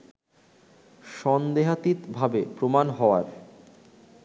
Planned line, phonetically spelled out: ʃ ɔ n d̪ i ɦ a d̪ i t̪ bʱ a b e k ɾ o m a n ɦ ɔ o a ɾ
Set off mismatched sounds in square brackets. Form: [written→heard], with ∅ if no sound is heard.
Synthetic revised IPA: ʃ ɔ n d̪ [i→e] ɦ a [d̪→t̪] i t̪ bʱ a b e [k→p] ɾ o m a n ɦ ɔ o a ɾ